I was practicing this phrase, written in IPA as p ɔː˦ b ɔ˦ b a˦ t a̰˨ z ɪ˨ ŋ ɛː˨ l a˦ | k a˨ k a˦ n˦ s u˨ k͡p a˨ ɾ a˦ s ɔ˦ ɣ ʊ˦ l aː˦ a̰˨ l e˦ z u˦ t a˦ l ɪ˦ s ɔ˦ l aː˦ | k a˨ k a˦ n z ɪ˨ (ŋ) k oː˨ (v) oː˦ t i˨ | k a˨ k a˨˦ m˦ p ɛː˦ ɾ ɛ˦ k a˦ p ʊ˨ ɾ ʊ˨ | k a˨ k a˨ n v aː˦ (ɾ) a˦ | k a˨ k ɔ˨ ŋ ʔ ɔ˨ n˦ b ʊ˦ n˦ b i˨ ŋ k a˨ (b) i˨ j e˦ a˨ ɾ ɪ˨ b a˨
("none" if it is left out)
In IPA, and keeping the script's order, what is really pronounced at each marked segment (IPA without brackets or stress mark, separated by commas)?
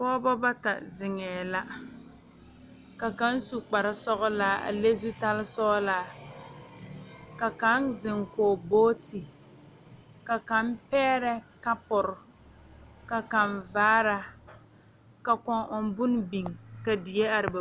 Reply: ŋ, b, ɾ, d